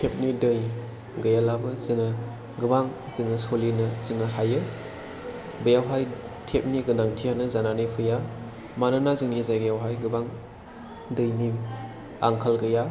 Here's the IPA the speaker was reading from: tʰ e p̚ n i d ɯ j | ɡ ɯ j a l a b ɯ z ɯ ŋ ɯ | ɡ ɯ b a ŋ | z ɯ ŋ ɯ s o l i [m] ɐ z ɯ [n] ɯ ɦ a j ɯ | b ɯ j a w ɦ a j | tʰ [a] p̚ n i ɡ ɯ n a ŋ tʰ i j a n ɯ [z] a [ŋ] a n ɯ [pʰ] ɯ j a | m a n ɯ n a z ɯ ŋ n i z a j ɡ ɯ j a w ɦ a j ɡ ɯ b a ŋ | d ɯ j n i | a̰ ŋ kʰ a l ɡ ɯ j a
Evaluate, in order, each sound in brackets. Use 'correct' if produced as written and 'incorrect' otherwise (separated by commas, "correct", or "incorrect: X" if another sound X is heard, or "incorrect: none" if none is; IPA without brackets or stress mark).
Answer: incorrect: n, incorrect: ŋ, incorrect: e, correct, incorrect: n, correct